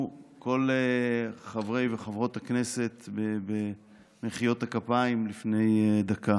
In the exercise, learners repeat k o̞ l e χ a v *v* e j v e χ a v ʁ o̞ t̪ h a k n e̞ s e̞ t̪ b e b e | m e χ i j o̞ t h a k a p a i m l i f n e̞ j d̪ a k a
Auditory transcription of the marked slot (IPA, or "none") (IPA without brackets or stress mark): ʁ